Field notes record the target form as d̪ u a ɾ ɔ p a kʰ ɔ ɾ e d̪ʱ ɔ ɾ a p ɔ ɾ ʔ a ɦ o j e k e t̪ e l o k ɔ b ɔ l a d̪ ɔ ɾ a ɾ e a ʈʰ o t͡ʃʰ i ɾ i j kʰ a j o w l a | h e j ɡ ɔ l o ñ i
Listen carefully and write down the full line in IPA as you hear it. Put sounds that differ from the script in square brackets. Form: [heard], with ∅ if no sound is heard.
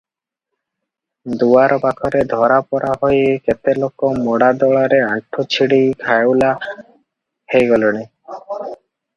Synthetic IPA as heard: d̪ u a ɾ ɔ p a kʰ ɔ ɾ e d̪ʱ ɔ ɾ a p ɔ ɾ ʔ a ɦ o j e k e t̪ e l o k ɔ [m] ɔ [ɽ] a d̪ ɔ [ɭ] a ɾ e a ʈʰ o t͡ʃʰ i [ɽ] i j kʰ a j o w l a | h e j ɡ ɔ l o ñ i

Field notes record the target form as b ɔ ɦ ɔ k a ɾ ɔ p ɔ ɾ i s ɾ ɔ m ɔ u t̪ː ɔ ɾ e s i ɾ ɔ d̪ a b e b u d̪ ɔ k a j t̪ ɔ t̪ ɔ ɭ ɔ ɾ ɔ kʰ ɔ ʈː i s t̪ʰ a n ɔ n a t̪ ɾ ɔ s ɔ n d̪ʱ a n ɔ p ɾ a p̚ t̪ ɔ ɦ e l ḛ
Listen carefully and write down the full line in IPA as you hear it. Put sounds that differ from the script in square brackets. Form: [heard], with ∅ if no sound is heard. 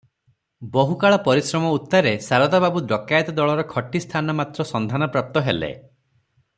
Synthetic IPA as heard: b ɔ ɦ [u] k a [ɭ] ɔ p ɔ ɾ i s ɾ ɔ m ɔ u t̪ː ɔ ɾ e s [a] ɾ ɔ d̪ a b [a] b u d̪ ɔ k a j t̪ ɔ [d̪] ɔ ɭ ɔ ɾ ɔ kʰ ɔ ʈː i s t̪ʰ a n ɔ [m] a t̪ ɾ ɔ s ɔ n d̪ʱ a n ɔ p ɾ a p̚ t̪ ɔ ɦ e l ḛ

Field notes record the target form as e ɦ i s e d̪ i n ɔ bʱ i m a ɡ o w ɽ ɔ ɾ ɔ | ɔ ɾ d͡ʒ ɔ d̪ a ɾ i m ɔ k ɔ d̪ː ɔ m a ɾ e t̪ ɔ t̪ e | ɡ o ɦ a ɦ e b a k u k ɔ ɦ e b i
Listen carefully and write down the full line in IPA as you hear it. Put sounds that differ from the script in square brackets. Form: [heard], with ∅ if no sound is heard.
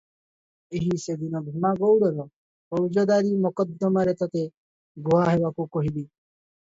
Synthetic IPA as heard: e ɦ i s e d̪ i n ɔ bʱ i m a ɡ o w ɽ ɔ ɾ ɔ | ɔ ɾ d͡ʒ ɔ d̪ a ɾ i m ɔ k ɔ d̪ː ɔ m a ɾ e t̪ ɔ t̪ e | ɡ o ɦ a ɦ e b a k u k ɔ ɦ [i] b i

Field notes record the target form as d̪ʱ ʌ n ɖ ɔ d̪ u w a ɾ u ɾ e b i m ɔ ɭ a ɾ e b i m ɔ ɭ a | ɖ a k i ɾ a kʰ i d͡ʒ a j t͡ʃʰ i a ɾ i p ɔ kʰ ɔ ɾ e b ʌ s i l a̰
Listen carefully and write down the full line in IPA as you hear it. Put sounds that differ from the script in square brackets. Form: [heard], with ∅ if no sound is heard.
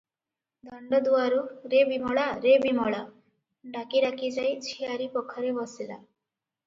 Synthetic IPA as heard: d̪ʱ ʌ [ɳ] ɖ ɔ d̪ u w a ɾ u ɾ e b i m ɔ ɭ a ɾ e b i m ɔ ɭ a | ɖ a k i ɾ a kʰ i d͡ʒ a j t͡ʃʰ i a ɾ i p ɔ kʰ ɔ ɾ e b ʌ s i l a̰

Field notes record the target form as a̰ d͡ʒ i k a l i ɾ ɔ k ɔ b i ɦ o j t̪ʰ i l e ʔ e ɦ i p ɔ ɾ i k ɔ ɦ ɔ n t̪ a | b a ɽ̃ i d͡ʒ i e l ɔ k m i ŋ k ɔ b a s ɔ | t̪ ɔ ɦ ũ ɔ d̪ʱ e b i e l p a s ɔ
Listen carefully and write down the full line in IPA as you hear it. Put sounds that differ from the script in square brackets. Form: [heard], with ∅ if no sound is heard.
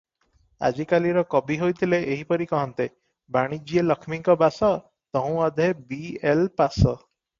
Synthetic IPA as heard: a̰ d͡ʒ i k a l i ɾ ɔ k ɔ b i ɦ o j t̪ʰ i l e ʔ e ɦ i p ɔ ɾ i k ɔ ɦ ɔ n t̪ [e] | b a ɽ̃ i d͡ʒ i e l ɔ [kʰ] m i ŋ k ɔ b a s ɔ | t̪ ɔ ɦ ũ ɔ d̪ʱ e b i e l p a s ɔ

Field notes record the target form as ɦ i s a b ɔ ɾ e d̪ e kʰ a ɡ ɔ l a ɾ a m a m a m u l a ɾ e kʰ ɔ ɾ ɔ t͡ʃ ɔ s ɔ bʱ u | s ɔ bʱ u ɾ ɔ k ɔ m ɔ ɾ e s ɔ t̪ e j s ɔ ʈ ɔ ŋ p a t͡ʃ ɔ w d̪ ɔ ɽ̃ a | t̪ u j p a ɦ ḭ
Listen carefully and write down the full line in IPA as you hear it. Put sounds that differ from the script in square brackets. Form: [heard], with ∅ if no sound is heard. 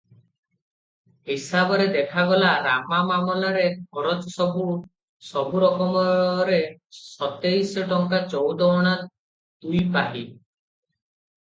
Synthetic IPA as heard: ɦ i s a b ɔ ɾ e d̪ e kʰ a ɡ ɔ l a ɾ a m a m a m [ɔ] l a ɾ e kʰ ɔ ɾ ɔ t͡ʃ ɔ s ɔ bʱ u | s ɔ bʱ u ɾ ɔ k ɔ m ɔ ɾ e s ɔ t̪ e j s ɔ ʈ ɔ ŋ [k] a t͡ʃ ɔ w d̪ ɔ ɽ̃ a | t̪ u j p a ɦ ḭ

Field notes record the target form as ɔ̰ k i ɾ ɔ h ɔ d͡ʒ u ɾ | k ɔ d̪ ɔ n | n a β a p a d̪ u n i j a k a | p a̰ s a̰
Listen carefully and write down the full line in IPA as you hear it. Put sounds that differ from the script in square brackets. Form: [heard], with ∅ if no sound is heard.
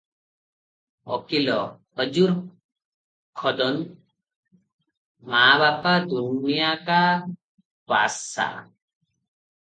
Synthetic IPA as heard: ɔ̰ k i [l] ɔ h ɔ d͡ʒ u ɾ | [kʰ] ɔ d̪ ɔ n | [m] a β a p a d̪ u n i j a k a | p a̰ s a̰

